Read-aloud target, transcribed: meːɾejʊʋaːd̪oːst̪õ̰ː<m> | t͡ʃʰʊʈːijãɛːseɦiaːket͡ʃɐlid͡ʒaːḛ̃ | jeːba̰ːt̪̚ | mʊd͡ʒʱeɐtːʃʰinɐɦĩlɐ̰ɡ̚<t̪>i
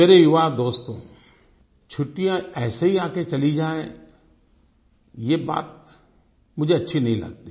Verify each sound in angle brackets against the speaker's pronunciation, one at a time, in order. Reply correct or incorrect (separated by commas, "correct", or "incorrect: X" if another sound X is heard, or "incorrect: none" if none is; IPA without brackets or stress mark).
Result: incorrect: none, correct